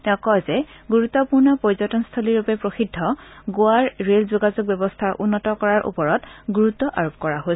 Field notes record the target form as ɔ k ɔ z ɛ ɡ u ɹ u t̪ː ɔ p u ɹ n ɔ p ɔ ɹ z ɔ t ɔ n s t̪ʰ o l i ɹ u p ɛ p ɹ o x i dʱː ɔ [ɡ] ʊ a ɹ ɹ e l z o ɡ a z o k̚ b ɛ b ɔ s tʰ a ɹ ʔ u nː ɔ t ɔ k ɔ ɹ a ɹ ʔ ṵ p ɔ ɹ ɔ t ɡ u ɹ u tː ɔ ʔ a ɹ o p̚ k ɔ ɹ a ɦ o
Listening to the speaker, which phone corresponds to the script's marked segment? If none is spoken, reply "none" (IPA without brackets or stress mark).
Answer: ɡ